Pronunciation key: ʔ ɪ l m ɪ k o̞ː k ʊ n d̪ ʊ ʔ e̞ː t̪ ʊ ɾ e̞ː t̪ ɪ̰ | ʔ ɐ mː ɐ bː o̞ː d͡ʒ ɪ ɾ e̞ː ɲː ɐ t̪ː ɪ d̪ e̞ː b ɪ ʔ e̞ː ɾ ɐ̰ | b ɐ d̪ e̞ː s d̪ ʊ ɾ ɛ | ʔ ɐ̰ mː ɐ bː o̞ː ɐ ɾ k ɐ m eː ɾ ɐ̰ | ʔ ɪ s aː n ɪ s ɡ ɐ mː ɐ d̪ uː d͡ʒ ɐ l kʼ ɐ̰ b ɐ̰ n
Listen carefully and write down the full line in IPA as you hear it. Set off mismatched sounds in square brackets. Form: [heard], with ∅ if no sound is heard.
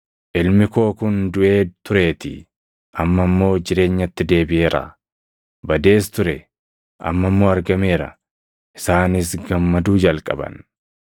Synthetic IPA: ʔ ɪ l m ɪ k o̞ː k ʊ n d̪ ʊ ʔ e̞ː t̪ ʊ ɾ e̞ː t̪ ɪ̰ | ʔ ɐ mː ɐ [mː] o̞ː d͡ʒ ɪ ɾ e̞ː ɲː ɐ t̪ː ɪ d̪ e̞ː b ɪ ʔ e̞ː ɾ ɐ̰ | b ɐ d̪ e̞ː s [t̪] ʊ ɾ ɛ | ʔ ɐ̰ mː ɐ [mː] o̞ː ɐ ɾ [ɡ] ɐ m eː ɾ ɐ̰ | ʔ ɪ s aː n ɪ s ɡ ɐ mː ɐ d̪ uː d͡ʒ ɐ l kʼ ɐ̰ b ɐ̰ n